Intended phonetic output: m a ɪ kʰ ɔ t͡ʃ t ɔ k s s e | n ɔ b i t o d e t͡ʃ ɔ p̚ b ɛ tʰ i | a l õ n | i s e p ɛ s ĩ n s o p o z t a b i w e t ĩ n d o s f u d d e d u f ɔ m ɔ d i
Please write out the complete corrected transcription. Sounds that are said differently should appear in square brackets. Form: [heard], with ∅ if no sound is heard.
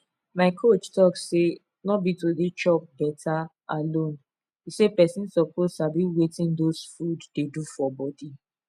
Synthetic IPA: m a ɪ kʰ [o] t͡ʃ t ɔ k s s e | n ɔ b i t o d e t͡ʃ ɔ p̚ b ɛ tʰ [a] | a l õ n | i s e p ɛ s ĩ n s [ɔ] p o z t a b i w e t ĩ n d o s f u d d e d u f ɔ [b] ɔ d i